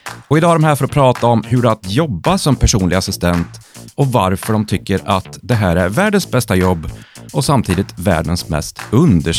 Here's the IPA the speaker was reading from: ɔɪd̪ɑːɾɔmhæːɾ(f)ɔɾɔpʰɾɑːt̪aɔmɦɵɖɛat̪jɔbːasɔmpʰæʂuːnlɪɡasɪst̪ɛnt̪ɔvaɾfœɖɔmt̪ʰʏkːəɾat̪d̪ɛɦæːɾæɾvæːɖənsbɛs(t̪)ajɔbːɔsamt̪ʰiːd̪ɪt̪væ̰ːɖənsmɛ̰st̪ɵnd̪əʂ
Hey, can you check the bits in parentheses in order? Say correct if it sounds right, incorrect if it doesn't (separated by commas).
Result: correct, correct